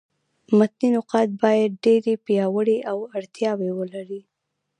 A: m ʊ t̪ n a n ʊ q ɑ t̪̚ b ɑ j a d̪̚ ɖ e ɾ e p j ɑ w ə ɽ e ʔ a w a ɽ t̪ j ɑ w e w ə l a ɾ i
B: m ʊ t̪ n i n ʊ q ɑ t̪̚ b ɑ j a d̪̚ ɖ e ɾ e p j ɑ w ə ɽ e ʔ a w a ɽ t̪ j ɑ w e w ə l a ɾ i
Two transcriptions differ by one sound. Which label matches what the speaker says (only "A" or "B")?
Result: B